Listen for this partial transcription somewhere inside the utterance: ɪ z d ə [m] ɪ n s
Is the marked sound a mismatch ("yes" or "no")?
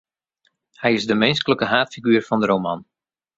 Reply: no